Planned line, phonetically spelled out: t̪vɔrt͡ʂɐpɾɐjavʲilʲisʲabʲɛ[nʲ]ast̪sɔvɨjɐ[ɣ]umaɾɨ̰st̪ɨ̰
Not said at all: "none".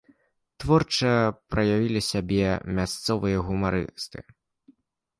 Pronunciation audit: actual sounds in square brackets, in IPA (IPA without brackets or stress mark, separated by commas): mʲ, ɣ